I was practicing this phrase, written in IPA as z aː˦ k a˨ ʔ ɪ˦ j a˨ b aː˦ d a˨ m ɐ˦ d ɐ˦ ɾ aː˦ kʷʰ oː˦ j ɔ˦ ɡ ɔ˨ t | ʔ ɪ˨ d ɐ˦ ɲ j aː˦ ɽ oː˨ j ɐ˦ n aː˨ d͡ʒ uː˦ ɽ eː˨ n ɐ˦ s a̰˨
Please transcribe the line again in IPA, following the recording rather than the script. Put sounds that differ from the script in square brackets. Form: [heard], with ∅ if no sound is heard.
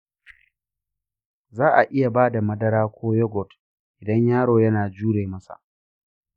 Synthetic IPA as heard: z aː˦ [ʔ] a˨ ʔ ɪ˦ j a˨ b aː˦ d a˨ m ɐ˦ d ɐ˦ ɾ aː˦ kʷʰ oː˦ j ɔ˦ ɡ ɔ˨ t | ʔ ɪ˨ d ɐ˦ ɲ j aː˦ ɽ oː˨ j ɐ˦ n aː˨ d͡ʒ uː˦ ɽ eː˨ [m] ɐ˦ s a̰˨